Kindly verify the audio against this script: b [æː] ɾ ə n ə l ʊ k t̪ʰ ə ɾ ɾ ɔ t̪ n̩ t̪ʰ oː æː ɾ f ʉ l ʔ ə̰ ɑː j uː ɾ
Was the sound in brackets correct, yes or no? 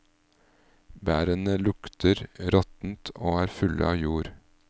yes